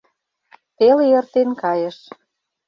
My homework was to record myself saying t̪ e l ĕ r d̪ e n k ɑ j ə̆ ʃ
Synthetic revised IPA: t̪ e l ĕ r t̪ e n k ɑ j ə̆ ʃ